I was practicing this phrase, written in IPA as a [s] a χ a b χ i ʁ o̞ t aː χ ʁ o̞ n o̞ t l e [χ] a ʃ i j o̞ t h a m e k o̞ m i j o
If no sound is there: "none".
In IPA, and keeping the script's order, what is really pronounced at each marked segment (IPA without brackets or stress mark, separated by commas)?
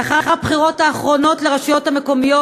χ, ʁ